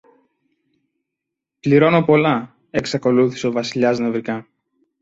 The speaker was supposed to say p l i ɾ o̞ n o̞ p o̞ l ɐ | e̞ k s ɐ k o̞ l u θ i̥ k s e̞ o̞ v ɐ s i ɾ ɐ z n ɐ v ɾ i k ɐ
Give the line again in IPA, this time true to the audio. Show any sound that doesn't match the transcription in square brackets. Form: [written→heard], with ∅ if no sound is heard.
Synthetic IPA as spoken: p l i ɾ o̞ n o̞ p o̞ l ɐ | e̞ k s ɐ k o̞ l u θ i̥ [k→∅] s e̞ o̞ v ɐ s i [ɾ→ʎ] ɐ z n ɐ v ɾ i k ɐ